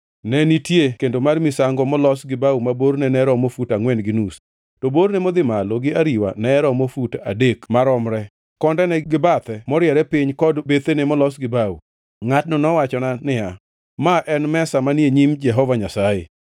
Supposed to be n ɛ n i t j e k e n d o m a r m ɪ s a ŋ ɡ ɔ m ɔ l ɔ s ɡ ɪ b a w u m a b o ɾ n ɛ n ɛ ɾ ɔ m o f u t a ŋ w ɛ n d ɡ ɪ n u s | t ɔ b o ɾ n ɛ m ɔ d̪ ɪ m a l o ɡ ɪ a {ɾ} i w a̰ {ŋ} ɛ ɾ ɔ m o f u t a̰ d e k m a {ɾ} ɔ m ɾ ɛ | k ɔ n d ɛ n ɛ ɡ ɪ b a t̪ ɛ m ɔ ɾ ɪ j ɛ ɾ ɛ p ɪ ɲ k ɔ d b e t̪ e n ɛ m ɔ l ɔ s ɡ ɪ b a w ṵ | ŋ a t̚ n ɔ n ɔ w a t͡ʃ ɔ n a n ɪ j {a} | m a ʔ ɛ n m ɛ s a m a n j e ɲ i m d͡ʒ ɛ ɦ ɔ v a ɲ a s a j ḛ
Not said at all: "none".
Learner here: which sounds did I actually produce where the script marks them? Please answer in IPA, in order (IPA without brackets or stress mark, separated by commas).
ɾ, n, ɾ, a